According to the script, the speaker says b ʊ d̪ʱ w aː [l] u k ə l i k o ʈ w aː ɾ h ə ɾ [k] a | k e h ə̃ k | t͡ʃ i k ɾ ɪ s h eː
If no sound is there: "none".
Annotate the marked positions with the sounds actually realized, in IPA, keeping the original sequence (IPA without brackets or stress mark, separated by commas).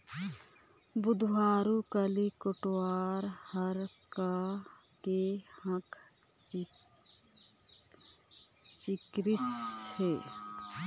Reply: ɾ, k